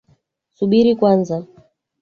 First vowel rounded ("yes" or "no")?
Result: yes